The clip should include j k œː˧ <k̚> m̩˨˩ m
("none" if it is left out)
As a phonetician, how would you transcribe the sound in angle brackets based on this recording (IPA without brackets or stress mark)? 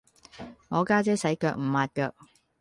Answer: k̚